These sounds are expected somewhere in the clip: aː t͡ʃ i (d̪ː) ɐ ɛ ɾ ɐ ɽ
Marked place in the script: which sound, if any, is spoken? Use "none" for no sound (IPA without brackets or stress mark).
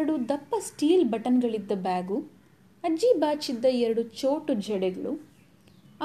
d̪ː